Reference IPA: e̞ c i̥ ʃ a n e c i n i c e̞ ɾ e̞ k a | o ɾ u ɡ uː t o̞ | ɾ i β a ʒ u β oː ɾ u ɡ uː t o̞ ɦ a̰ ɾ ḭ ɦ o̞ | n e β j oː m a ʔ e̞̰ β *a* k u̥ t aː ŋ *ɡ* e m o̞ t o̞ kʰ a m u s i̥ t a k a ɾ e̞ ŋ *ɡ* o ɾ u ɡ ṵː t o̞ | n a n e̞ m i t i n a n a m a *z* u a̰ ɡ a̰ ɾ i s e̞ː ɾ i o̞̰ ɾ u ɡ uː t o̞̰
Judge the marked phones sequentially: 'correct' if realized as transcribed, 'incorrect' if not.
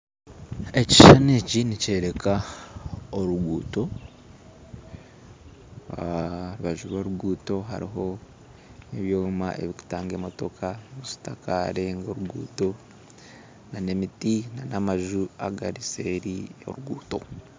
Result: incorrect, correct, correct, incorrect

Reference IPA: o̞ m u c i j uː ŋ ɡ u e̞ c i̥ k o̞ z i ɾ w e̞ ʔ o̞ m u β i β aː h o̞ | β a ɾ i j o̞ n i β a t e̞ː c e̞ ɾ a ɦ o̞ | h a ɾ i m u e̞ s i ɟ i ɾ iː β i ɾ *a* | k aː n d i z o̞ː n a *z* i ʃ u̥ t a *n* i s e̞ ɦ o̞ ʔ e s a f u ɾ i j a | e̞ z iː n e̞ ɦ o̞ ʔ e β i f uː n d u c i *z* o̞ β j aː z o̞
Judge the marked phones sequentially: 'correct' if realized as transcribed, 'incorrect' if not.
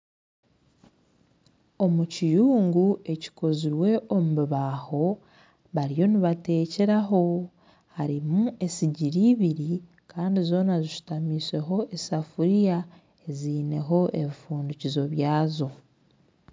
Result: incorrect, correct, incorrect, correct

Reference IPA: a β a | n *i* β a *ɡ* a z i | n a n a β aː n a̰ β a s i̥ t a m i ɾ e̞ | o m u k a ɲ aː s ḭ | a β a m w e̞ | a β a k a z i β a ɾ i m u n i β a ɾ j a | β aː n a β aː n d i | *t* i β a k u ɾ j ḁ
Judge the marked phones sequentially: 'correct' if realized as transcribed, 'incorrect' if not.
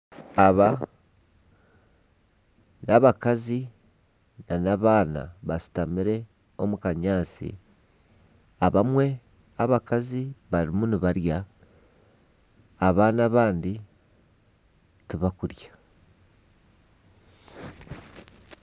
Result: incorrect, incorrect, correct

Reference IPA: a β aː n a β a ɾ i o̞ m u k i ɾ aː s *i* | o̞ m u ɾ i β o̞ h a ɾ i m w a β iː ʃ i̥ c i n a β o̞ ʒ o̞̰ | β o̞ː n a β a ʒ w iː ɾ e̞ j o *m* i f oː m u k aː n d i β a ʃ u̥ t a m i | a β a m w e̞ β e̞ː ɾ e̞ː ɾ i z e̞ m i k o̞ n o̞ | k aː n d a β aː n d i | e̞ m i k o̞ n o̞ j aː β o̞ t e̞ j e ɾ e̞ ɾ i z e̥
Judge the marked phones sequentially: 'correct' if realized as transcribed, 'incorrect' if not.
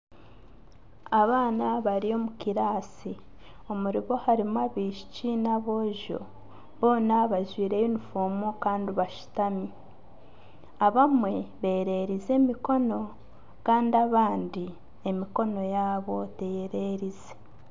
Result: correct, incorrect

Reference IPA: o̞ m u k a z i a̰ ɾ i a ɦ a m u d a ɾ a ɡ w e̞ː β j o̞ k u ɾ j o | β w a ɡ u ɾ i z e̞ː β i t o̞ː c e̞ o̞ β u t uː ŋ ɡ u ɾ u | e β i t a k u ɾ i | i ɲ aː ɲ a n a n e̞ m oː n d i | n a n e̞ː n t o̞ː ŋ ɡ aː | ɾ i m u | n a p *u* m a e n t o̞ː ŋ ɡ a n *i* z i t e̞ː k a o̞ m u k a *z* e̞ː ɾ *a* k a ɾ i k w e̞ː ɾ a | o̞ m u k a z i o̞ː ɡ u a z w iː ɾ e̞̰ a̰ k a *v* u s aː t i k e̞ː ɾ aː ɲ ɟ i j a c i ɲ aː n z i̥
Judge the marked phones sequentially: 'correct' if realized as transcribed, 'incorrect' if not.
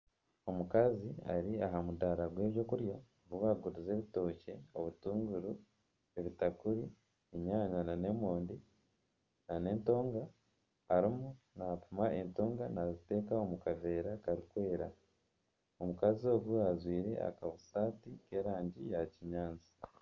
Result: correct, incorrect, incorrect, correct, incorrect

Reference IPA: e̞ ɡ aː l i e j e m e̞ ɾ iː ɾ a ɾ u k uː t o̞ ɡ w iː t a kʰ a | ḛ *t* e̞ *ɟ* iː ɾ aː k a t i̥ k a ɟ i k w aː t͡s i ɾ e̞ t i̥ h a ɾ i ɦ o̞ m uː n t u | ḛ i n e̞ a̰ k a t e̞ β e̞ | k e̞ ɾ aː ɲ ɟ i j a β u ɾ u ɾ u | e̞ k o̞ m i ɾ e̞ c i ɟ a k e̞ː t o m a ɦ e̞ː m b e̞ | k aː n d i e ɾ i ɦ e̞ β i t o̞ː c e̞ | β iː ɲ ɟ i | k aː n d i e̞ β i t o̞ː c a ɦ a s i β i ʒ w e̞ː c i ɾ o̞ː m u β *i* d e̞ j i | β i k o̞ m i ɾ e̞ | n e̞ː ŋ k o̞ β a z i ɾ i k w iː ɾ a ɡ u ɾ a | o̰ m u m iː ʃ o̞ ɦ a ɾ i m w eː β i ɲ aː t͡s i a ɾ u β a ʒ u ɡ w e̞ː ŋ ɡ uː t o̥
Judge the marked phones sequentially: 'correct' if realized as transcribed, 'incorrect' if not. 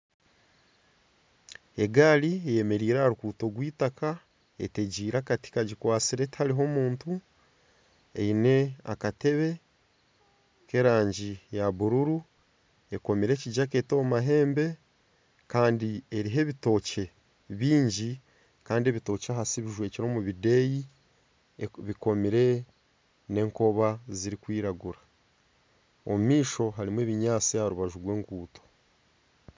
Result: correct, correct, correct

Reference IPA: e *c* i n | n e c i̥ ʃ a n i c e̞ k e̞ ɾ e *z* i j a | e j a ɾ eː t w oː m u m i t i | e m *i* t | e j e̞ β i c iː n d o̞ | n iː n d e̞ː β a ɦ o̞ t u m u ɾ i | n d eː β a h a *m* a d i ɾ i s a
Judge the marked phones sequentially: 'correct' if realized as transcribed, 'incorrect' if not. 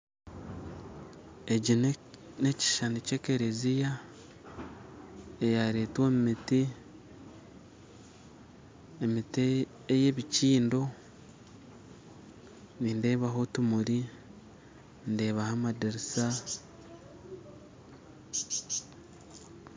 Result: incorrect, correct, correct, correct

